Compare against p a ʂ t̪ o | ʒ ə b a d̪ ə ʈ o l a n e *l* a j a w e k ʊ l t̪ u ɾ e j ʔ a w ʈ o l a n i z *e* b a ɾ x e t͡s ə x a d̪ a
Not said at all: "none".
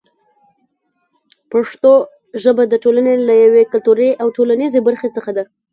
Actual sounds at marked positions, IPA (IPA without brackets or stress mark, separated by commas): l, e